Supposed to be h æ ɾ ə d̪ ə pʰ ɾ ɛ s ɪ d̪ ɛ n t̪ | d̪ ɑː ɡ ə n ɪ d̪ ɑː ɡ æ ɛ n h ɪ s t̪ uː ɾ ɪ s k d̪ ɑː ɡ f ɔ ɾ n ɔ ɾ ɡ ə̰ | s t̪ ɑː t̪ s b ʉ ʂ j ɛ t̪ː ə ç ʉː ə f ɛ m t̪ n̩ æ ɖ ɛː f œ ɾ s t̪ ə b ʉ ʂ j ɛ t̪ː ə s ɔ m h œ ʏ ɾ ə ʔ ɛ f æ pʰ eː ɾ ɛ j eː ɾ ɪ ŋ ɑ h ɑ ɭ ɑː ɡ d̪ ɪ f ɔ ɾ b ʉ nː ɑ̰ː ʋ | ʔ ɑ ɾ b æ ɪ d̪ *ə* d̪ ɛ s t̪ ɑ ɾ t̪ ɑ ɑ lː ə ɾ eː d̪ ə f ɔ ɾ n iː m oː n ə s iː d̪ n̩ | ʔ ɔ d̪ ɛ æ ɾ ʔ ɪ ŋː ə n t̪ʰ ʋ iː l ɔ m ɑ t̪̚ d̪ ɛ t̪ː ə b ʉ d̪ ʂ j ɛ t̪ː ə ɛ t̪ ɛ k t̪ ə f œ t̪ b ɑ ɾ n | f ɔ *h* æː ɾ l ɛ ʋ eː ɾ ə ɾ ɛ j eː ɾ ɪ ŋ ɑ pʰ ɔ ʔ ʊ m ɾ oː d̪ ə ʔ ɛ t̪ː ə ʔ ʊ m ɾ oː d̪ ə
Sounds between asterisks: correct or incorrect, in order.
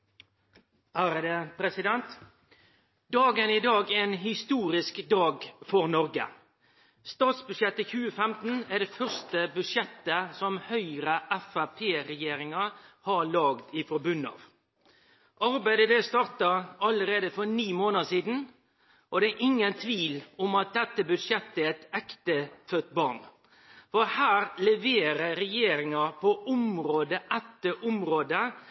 correct, correct

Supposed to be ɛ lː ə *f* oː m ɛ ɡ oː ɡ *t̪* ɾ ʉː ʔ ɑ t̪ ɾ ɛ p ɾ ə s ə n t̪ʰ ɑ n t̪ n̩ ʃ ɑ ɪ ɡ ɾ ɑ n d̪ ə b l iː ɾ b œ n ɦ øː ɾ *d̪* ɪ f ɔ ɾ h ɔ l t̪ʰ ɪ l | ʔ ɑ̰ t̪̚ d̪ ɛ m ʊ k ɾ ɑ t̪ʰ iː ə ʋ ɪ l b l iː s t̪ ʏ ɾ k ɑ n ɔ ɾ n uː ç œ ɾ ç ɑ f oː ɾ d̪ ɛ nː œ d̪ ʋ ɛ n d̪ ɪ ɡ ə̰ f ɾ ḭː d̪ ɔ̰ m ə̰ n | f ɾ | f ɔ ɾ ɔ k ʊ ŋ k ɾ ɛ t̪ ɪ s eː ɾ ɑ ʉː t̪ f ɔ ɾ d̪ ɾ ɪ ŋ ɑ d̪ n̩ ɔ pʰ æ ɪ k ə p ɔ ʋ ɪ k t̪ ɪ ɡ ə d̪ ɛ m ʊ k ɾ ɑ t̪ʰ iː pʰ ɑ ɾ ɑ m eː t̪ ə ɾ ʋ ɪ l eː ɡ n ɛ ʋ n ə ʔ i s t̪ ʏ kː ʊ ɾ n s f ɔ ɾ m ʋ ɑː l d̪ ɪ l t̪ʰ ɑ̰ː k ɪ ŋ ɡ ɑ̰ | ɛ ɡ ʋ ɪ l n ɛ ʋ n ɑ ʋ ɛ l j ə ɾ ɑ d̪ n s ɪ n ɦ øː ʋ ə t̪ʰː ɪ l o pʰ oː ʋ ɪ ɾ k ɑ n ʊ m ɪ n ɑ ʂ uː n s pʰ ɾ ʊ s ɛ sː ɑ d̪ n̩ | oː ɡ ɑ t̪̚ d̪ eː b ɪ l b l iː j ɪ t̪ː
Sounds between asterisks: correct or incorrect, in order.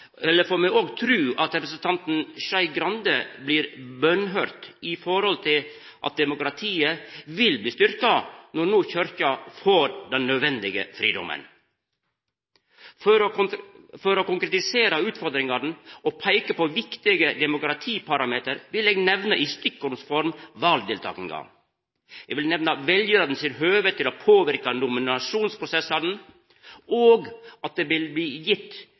correct, incorrect: t̪ʰ, incorrect: t̪

